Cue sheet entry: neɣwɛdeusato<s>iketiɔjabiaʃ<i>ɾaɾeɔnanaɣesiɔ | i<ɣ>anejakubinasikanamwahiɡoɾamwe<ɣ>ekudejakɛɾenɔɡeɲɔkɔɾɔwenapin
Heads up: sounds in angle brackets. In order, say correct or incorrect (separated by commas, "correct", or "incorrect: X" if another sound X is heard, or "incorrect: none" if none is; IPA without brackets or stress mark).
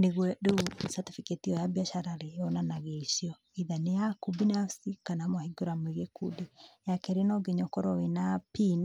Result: incorrect: f, incorrect: a, incorrect: ð, correct